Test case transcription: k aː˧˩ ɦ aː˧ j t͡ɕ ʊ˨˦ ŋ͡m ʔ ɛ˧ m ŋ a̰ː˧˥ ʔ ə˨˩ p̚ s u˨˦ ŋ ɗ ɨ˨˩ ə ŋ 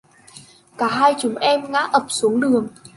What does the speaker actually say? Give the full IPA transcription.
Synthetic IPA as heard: k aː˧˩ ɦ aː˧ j t͡ɕ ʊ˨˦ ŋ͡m ʔ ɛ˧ m ŋ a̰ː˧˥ ʔ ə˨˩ p̚ s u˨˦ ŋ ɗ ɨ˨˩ ə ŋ